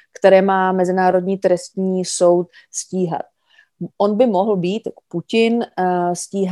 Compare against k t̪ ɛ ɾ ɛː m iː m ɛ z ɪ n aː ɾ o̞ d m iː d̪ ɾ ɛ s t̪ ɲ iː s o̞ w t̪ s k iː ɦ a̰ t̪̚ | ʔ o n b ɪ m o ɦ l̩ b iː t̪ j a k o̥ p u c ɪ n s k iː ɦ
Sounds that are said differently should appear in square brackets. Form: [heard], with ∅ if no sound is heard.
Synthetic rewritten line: k t̪ ɛ ɾ ɛː m [aː] m ɛ z ɪ n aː ɾ o̞ d [ɲ] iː [t̪] ɾ ɛ s t̪ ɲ iː s o̞ w t̪ s [c] iː ɦ a̰ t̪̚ | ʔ o n b ɪ m o ɦ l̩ b iː t̪ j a k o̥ p u c ɪ n s [c] iː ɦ